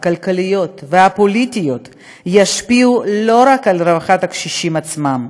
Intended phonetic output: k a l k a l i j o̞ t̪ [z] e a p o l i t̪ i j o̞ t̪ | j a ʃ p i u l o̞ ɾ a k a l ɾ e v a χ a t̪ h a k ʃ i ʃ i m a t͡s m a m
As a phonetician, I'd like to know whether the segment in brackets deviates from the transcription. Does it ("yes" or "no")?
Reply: yes